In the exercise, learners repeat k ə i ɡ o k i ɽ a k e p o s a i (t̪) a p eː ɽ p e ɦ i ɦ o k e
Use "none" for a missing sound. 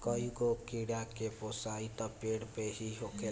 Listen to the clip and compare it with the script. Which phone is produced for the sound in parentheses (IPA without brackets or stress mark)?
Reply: t̪